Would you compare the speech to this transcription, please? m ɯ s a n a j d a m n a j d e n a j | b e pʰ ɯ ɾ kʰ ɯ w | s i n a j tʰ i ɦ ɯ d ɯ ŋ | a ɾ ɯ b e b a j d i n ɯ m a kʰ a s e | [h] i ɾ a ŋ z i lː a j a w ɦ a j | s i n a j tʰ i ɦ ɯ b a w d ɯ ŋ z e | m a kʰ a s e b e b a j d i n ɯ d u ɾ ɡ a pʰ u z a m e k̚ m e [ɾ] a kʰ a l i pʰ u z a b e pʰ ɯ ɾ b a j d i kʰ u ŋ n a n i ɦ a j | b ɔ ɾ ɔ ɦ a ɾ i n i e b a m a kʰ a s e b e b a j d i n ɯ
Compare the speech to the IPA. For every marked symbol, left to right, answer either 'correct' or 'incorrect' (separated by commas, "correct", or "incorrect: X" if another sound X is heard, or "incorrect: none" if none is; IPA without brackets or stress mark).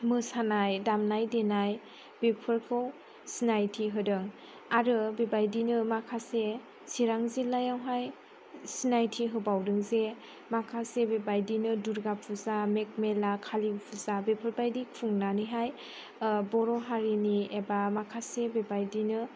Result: incorrect: s, incorrect: l